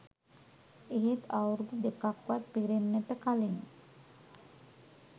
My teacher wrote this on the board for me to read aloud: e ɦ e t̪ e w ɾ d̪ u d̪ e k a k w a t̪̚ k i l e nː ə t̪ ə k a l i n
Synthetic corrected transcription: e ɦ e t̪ a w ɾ d̪ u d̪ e k a k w a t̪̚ p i ɾ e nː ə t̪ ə k a l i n